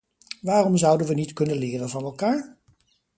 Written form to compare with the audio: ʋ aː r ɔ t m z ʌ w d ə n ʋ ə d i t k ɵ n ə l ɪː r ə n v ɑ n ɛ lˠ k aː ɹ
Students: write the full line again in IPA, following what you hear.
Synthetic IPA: ʋ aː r ɔ m z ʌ w d ə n ʋ ə n i t k ɵ n ə l ɪː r ə n v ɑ n ɛ lˠ k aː ɹ